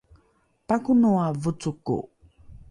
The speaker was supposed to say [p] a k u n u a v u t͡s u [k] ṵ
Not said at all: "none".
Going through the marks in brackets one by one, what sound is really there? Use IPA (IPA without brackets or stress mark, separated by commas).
p, k